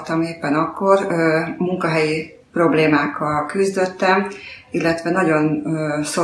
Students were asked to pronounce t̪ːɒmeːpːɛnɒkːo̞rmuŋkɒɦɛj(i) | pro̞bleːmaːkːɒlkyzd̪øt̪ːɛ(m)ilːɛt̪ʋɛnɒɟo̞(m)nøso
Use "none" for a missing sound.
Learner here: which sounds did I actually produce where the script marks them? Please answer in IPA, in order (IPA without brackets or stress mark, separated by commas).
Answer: i, m, none